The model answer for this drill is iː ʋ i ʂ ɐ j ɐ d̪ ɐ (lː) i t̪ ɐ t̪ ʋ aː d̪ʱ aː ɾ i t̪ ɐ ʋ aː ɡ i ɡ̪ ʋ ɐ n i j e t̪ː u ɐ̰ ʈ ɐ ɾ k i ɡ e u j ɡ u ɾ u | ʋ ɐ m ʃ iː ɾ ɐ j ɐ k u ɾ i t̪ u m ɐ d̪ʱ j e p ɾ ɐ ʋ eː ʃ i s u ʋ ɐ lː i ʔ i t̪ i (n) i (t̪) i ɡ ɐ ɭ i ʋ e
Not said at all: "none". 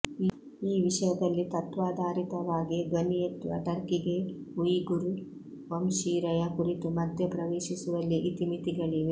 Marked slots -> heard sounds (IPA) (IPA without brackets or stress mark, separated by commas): lː, m, t̪